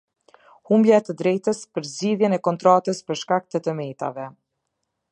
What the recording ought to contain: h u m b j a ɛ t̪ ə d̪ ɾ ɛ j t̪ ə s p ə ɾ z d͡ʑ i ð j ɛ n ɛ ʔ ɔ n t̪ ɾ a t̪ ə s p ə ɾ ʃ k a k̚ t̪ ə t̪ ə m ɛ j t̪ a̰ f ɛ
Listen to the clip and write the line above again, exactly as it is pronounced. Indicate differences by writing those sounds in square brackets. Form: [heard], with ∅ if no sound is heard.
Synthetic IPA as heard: h u m b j a ɛ t̪ ə d̪ ɾ ɛ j t̪ ə s p ə ɾ z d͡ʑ i ð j ɛ n ɛ [k] ɔ n t̪ ɾ a t̪ ə s p ə ɾ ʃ k a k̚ t̪ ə t̪ ə m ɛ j t̪ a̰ [v] ɛ

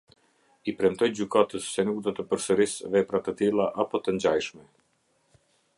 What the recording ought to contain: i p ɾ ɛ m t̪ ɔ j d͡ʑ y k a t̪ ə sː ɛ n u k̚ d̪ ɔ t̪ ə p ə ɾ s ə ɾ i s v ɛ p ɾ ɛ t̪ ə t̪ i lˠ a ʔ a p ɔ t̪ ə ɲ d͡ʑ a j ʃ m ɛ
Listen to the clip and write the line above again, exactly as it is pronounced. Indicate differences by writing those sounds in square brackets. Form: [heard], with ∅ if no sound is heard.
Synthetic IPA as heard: i p ɾ ɛ m t̪ ɔ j d͡ʑ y k a t̪ ə sː ɛ n u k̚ d̪ ɔ t̪ ə p ə ɾ s ə ɾ i s v ɛ p ɾ [a] t̪ ə t̪ i lˠ a ʔ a p ɔ t̪ ə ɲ d͡ʑ a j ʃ m ɛ

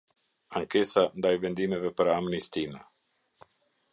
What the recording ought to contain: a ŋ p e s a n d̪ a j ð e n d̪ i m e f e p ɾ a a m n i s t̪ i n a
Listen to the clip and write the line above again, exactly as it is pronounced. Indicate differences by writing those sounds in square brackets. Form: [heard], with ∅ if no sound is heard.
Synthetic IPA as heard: a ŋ [k] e s a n d̪ a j [v] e n d̪ i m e [v] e p ɾ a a m n i s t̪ i n a

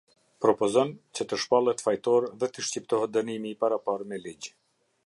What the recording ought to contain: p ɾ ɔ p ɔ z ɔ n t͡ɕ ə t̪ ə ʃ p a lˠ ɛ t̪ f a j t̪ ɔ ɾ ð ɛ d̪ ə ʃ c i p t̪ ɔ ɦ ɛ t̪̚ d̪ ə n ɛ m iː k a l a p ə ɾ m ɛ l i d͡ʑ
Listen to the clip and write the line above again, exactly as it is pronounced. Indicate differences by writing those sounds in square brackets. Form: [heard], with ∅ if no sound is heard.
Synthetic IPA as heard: p ɾ ɔ p ɔ z ɔ n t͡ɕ ə t̪ ə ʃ p a lˠ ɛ t̪ f a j t̪ ɔ ɾ ð ɛ [t̪] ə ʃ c i p t̪ ɔ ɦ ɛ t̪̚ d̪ ə n [i] m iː [p] a [ɾ] a p [a] ɾ m ɛ l i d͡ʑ

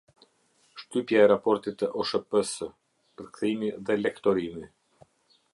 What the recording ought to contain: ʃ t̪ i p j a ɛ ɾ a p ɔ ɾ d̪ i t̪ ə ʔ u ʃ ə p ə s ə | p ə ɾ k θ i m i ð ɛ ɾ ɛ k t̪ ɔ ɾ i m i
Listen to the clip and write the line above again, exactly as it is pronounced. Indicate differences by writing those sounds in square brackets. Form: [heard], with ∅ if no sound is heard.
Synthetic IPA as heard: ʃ t̪ [y] p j a ɛ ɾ a p ɔ ɾ [t̪] i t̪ ə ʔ [ɔ] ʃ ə p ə s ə | p ə ɾ k θ i m i ð ɛ [l] ɛ k t̪ ɔ ɾ i m i

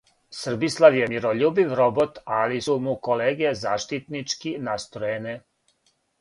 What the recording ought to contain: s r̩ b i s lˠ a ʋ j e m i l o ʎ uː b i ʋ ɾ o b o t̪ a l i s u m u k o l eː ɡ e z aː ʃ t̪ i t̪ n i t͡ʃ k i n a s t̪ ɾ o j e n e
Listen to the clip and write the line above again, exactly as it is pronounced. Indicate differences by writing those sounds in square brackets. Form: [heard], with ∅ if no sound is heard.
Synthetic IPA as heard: s r̩ b i s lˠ a ʋ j e m i [ɾ] o ʎ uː b i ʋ ɾ o b o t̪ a l i s u m u k o l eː ɡ e z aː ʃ t̪ i t̪ n i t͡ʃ k i n a s t̪ ɾ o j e n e

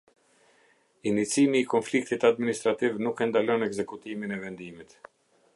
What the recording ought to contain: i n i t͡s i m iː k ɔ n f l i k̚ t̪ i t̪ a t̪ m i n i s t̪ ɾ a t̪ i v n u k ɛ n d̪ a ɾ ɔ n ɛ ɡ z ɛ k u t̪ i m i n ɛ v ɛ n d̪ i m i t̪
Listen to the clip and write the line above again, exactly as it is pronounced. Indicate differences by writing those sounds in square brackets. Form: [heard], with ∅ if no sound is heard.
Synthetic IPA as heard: i n i t͡s i m iː k ɔ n f l i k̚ t̪ i t̪ a [d̪] m i n i s t̪ ɾ a t̪ i v n u k ɛ n d̪ a [l] ɔ n ɛ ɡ z ɛ k u t̪ i m i n ɛ v ɛ n d̪ i m i t̪

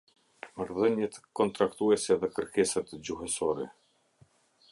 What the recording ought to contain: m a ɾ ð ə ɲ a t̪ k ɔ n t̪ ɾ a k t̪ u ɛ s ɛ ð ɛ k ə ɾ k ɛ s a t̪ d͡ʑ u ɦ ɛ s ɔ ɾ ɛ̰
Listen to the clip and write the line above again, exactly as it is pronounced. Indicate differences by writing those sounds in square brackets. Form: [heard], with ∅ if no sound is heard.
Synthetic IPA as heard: m a ɾ ð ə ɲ [ɛ] t̪ k ɔ n t̪ ɾ a k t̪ u ɛ s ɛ ð ɛ k ə ɾ k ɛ s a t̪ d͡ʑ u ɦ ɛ s ɔ ɾ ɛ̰

